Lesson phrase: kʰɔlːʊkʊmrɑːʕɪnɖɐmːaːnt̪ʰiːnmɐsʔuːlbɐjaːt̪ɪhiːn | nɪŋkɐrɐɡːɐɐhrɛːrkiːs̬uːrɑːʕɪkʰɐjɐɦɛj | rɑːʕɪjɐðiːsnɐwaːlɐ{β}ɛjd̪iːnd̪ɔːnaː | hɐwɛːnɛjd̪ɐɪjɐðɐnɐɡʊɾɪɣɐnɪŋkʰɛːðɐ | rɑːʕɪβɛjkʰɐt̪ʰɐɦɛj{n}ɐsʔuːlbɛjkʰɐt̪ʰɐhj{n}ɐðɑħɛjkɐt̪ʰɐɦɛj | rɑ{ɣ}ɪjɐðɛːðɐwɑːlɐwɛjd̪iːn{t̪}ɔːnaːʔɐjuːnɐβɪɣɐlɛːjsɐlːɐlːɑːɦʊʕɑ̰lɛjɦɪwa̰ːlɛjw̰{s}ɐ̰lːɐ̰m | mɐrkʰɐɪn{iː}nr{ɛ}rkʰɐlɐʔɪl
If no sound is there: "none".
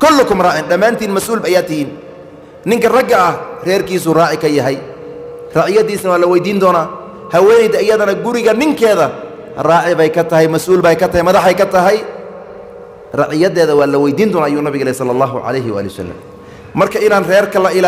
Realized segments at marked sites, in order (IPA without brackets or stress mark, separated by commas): w, m, m, ʕ, d̪, s, aː, ɛː